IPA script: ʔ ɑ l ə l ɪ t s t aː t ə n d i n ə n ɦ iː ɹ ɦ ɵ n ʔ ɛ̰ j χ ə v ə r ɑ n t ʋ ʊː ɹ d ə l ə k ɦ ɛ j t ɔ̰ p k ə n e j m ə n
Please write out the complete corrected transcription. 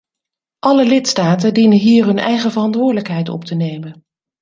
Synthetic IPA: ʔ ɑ l ə l ɪ t s t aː t ə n d i n ə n ɦ iː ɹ ɦ ɵ n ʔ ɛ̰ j χ ə v ə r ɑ n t ʋ ʊː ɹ d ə l ə k ɦ ɛ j t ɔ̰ p t ə n e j m ə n